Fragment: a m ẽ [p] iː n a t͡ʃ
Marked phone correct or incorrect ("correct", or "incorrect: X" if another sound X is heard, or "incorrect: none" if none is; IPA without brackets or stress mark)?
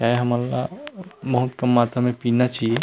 correct